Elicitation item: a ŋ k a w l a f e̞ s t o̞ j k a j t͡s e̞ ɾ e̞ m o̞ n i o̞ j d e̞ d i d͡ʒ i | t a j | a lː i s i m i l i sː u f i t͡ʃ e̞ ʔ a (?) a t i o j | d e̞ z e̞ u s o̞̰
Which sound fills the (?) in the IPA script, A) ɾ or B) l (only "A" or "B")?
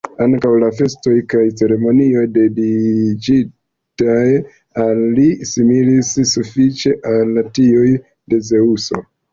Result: B